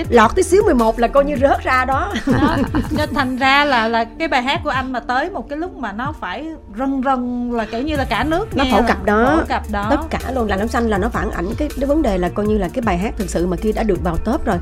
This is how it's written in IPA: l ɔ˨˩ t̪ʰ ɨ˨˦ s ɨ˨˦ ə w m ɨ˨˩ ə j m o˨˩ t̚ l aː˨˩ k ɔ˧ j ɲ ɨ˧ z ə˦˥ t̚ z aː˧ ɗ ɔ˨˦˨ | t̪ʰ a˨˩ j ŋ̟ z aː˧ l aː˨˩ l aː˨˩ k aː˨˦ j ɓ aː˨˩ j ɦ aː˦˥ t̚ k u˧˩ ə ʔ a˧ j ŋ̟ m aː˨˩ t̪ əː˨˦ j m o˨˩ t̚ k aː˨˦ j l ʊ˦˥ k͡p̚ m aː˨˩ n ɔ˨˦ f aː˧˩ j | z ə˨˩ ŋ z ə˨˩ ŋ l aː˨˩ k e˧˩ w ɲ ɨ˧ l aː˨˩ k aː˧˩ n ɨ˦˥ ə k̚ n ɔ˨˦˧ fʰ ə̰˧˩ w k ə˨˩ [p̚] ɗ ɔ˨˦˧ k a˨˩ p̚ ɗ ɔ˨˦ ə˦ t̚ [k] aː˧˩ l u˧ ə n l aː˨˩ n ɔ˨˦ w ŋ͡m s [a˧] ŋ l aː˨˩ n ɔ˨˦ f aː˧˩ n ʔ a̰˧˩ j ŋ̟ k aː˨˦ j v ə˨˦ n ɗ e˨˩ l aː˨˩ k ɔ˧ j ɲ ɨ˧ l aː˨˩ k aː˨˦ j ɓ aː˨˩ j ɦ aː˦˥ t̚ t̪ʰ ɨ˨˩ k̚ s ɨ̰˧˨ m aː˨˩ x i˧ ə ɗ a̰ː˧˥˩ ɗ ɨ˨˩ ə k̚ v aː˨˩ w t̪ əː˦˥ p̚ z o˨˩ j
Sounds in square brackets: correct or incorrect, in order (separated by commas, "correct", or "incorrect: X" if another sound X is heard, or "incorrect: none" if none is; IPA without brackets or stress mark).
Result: correct, correct, correct